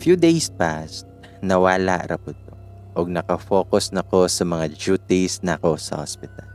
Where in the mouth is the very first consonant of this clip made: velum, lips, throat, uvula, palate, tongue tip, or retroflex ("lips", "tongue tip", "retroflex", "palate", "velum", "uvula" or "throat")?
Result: lips